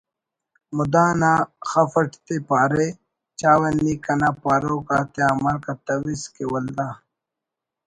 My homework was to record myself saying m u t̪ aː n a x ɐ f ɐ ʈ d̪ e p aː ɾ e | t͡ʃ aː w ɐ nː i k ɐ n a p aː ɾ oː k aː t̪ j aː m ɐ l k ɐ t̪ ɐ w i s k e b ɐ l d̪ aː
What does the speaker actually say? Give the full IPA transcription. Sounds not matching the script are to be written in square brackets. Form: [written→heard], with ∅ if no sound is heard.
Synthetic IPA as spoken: m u [t̪→d̪] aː n a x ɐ f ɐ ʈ [d̪→t̪] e p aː ɾ e | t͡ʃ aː w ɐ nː i k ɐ n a p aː ɾ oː k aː t̪ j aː m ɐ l k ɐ t̪ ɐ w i s k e [b→w] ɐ l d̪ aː